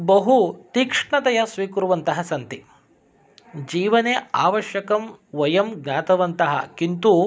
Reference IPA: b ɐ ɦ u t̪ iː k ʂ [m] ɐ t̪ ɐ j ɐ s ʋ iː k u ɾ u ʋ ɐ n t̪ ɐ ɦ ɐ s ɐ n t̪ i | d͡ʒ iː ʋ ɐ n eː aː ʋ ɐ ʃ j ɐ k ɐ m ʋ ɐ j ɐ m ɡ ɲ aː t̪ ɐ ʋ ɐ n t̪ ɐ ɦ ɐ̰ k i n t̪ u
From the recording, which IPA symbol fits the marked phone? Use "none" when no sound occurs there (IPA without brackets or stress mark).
ɳ